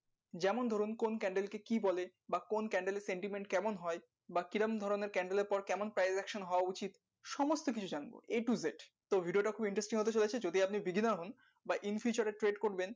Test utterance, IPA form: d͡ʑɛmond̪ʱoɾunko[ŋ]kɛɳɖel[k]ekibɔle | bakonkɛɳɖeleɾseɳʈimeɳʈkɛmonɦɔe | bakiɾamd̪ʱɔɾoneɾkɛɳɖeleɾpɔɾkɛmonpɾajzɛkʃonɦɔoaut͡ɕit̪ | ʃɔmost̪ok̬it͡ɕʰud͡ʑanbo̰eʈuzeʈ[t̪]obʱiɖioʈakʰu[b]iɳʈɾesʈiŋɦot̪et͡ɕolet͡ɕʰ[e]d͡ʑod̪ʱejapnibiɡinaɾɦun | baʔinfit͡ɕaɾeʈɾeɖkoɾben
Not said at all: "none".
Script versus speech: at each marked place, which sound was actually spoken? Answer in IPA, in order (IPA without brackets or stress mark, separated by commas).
n, k, t̪, b, e